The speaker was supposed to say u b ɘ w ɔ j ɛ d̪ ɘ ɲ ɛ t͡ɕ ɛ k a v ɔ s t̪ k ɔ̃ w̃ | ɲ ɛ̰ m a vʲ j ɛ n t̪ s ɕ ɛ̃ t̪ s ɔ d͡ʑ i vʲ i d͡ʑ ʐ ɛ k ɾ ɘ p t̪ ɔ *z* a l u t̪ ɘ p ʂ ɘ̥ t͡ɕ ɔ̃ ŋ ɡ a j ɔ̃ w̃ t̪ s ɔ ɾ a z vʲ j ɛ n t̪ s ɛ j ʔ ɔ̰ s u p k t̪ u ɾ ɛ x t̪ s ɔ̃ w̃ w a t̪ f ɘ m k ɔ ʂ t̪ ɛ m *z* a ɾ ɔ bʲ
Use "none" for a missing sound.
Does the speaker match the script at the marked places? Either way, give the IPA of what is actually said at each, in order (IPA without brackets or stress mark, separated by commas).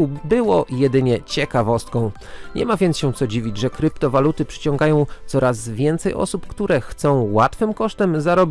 v, z